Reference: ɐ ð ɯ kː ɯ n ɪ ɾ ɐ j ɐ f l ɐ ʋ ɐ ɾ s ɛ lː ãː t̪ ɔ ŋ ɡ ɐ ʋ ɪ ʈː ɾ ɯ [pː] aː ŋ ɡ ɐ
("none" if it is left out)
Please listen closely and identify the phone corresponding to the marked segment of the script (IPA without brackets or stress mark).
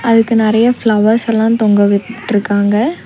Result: kː